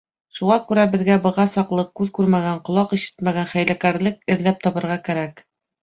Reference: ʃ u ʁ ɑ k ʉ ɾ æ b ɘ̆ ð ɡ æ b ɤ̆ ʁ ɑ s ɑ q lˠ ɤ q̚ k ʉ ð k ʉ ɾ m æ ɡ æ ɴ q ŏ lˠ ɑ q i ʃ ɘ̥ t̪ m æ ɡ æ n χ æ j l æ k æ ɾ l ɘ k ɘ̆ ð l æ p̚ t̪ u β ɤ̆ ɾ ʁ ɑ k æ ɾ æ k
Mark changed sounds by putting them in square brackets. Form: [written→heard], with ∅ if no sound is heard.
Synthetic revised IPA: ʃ u ʁ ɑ k ʉ ɾ æ b ɘ̆ ð ɡ æ b ɤ̆ ʁ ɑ s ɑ q lˠ ɤ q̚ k ʉ ð k ʉ ɾ m æ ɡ æ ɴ q ŏ lˠ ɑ q i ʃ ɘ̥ t̪ m æ ɡ æ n χ æ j l æ k æ ɾ l ɘ k ɘ̆ ð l æ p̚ t̪ [u→ɒ] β ɤ̆ ɾ ʁ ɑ k æ ɾ æ k